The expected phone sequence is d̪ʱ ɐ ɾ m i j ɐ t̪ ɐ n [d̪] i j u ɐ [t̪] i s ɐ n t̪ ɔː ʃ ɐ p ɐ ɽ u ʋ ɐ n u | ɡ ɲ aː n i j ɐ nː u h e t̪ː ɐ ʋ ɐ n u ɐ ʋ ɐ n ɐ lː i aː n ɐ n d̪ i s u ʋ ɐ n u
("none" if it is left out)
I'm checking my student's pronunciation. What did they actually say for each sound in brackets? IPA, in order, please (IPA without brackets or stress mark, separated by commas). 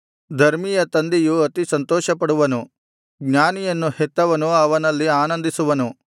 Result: d̪, t̪